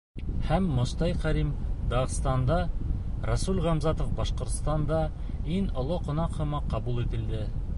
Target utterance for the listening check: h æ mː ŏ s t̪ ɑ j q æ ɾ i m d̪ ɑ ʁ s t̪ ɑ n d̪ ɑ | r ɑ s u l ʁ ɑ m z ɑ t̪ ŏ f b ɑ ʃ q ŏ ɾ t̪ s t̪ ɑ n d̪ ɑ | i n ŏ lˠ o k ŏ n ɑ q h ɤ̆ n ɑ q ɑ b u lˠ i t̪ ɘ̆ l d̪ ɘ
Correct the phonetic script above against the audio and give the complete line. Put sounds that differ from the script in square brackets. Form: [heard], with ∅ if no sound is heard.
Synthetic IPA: h æ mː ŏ s t̪ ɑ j q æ ɾ i m d̪ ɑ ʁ s t̪ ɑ n d̪ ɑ | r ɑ s u l ʁ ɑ m z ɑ t̪ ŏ f b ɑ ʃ q ŏ ɾ t̪ s t̪ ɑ n d̪ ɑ | i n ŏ lˠ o [q] ŏ n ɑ q h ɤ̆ [m] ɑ q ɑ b u lˠ i t̪ ɘ̆ l d̪ ɘ